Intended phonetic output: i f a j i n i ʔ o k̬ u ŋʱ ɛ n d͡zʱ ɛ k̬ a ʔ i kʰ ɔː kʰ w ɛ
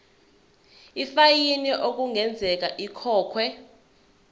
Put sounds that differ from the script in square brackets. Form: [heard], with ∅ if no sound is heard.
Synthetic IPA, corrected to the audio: i f a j i n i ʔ o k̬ u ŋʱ ɛ n d͡zʱ ɛ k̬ a ʔ i kʰ ɔː kʰ w ɛ